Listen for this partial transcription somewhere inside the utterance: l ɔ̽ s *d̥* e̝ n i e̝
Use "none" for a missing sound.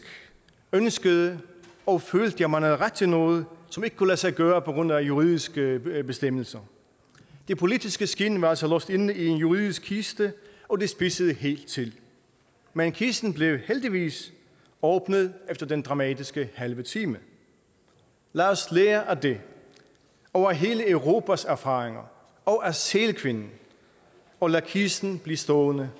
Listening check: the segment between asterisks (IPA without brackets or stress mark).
d̥